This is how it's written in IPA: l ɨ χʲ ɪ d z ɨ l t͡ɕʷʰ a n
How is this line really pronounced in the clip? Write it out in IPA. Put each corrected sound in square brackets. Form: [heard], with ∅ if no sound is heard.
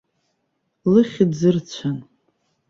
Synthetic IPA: l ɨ χʲ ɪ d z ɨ [r] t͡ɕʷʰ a n